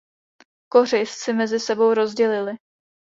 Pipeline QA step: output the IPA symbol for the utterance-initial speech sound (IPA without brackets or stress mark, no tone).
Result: k